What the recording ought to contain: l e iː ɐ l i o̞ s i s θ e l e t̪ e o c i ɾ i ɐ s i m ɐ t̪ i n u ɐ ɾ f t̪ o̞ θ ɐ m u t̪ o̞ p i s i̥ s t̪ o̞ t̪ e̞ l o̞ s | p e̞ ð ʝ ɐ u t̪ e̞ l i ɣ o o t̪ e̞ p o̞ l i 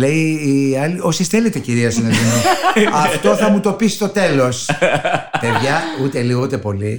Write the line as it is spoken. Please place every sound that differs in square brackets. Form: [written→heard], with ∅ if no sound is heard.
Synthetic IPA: l e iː ɐ l i o̞ s i s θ e l e t̪ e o c i ɾ i ɐ s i [m→n] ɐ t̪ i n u ɐ [ɾ→∅] f t̪ o̞ θ ɐ m u t̪ o̞ p i s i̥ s t̪ o̞ t̪ e̞ l o̞ s | p e̞ ð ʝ ɐ u t̪ e̞ l i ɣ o [o→u] t̪ e̞ p o̞ l i